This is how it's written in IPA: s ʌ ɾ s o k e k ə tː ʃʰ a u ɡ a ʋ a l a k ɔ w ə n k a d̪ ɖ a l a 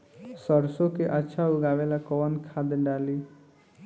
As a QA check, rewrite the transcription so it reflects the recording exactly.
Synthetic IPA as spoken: s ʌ ɾ s o k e ʔ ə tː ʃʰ a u ɡ a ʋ e l a k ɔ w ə n kʰ a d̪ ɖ a l i